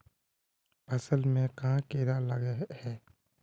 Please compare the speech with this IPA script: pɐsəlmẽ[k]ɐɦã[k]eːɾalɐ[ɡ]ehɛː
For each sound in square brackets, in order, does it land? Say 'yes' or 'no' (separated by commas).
yes, yes, yes